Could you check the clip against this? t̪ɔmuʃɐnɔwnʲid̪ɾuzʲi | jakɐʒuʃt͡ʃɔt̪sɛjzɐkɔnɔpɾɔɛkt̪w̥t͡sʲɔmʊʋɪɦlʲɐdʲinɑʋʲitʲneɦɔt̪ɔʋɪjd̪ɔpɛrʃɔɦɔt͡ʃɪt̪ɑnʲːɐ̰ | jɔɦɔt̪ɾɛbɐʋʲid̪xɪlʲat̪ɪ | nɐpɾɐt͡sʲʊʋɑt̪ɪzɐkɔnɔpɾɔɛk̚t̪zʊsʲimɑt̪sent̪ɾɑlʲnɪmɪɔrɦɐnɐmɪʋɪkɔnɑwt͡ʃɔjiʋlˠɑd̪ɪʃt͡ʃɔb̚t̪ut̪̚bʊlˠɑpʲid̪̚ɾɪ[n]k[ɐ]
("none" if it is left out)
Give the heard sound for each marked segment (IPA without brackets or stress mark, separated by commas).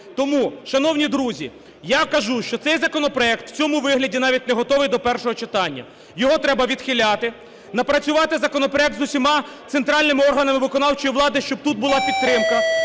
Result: m, ɐ